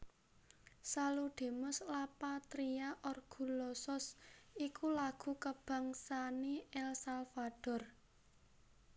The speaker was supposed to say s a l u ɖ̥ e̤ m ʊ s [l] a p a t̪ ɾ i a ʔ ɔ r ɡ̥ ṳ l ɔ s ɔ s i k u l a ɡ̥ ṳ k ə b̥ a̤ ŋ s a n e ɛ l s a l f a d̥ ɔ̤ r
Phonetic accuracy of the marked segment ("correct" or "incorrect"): correct